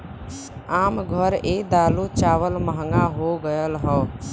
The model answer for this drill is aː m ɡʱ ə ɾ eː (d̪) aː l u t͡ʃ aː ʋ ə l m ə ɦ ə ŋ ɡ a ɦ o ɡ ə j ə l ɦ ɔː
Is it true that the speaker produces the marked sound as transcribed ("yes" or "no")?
yes